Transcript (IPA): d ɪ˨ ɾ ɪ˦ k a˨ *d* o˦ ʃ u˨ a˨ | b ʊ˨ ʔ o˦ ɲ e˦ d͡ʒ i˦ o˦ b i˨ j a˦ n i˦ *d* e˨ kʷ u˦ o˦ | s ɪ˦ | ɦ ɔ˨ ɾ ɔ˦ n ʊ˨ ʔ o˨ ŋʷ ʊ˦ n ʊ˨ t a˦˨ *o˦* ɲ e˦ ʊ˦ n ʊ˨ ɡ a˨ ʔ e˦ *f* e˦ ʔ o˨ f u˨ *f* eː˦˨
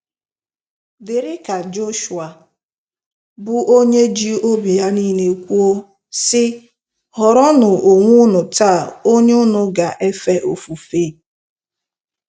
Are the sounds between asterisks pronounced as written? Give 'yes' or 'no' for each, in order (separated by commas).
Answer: no, no, yes, yes, yes